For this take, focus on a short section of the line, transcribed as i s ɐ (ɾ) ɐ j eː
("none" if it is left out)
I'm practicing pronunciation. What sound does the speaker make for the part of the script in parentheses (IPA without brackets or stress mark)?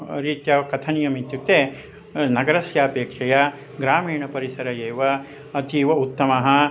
ɾ